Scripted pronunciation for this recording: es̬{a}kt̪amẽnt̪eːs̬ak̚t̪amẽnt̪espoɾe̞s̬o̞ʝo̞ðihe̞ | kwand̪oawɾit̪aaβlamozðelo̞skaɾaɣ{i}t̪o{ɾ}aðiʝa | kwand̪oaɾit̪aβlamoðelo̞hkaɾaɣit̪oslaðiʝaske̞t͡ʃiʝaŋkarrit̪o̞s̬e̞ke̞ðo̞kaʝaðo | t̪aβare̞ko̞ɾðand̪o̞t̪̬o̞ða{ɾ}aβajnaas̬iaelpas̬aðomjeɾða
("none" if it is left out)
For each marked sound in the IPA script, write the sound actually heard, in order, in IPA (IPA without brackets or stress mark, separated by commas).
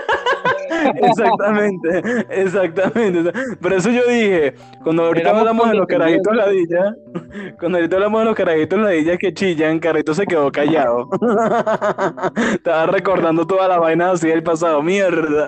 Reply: a, i, l, l